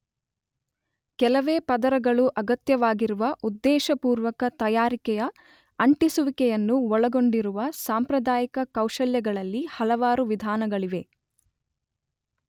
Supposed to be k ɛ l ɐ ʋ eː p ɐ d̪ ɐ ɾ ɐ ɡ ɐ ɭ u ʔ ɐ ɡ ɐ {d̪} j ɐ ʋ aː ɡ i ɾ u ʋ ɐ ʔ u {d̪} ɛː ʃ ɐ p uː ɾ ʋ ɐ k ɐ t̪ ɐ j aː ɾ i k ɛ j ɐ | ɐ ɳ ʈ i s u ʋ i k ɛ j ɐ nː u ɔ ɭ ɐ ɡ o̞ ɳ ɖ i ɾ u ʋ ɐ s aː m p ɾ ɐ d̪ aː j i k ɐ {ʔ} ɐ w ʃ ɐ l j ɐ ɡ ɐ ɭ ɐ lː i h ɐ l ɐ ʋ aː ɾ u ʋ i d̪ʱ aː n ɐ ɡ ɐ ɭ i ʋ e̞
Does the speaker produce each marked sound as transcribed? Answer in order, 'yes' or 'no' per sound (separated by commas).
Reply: no, no, no